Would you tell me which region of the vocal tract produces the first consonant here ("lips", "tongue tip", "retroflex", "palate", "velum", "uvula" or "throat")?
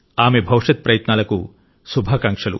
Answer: lips